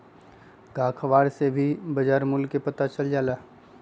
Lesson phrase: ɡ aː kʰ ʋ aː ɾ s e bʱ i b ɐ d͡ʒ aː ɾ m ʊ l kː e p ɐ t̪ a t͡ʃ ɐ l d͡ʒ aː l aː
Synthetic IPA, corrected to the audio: ɡ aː kʰ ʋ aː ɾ s e bʱ i b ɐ d͡ʒ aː ɾ m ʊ l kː e p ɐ t̪ a t͡ʃ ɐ l d͡ʒ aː l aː

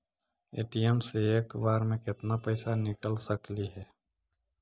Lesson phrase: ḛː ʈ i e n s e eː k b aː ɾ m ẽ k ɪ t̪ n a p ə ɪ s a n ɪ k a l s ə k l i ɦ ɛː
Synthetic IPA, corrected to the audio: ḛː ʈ i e m s e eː k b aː ɾ m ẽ k ɪ t̪ n a p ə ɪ s a n ɪ k ə l s ə k l i ɦ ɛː

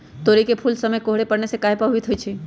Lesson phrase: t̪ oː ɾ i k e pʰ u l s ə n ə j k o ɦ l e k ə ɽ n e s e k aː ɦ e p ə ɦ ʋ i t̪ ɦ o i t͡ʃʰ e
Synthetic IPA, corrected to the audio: t̪ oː ɾ i k e pʰ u l s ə m ə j k o ɦ ɽ e p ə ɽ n e s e k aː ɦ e p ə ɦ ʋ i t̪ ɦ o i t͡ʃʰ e

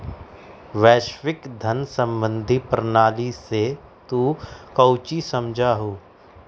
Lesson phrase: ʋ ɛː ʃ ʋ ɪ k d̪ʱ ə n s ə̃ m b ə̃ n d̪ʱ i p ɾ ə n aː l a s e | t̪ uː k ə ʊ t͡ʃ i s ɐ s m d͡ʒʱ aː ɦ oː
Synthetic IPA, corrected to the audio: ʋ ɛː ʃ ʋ ɪ k d̪ʱ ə n s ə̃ m b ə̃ n d̪ʱ i p ɾ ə n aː l i s e | t̪ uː k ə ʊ t͡ʃ i s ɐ m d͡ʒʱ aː ɦ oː

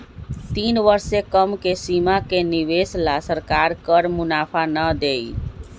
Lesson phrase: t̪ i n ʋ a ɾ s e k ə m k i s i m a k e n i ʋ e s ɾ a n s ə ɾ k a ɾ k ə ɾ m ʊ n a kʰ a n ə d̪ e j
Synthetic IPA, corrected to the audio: t̪ i n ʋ ə ɾ s e k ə m k e s i m a k e n i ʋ e s l a s ə ɾ k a ɾ k ə ɾ m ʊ n a pʰ a n ə d̪ e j

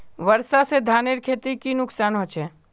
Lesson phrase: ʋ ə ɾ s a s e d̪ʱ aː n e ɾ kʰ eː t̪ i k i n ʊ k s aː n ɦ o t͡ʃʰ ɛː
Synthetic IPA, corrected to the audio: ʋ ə ɾ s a s e d̪ʱ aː n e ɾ kʰ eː t̪ i k i n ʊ k s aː n ɦ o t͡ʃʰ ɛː

